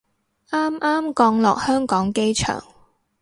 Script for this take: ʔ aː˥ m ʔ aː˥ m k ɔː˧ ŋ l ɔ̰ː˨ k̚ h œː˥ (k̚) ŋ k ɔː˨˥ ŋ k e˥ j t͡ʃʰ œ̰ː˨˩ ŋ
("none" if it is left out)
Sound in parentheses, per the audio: none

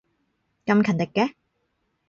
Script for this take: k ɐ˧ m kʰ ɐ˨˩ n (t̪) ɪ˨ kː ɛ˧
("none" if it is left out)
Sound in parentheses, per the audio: t̪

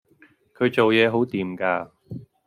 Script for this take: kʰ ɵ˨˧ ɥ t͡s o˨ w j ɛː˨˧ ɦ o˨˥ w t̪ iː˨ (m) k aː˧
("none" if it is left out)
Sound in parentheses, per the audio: m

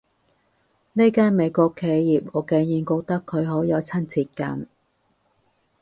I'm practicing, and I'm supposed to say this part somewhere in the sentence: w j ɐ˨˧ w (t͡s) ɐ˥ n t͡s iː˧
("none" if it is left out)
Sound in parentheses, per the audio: t͡sʰ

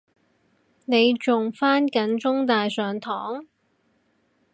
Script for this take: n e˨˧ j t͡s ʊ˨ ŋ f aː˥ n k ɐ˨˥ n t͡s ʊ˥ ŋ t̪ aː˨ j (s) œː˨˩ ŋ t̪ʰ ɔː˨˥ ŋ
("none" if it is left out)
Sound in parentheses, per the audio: s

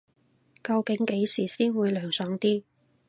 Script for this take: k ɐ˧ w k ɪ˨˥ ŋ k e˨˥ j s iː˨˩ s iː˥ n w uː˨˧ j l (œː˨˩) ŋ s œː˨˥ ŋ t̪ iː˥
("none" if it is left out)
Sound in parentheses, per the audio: œː˨˩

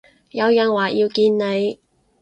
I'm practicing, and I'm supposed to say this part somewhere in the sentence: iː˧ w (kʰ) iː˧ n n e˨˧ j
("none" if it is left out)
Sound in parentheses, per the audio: k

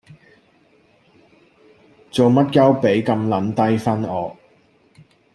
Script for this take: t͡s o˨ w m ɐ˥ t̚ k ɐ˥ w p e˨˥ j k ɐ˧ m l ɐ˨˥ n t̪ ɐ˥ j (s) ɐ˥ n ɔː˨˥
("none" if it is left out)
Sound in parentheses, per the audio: f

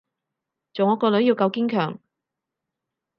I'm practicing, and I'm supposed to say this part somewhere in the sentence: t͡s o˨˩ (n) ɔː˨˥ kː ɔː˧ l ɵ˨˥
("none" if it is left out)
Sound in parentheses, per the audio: ŋ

